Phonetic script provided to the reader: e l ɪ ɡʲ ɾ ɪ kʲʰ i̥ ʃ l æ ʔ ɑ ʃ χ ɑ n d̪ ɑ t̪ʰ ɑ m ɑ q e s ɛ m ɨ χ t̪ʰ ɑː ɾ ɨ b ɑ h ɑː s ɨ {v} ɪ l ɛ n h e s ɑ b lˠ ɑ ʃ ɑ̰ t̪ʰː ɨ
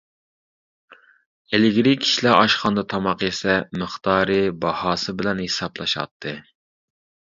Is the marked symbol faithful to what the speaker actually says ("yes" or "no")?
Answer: no